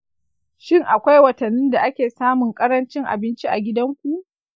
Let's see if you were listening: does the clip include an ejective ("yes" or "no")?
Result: yes